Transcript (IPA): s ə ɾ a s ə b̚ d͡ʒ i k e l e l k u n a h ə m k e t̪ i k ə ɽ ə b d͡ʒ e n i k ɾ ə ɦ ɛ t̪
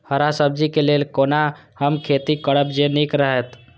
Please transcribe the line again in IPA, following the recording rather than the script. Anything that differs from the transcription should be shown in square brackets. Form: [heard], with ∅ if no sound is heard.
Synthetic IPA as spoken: [h] ə ɾ a s ə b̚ d͡ʒ i k e l e l k [o] n a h ə m [kʰ] e t̪ i k ə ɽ ə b d͡ʒ e n i k ɾ ə ɦ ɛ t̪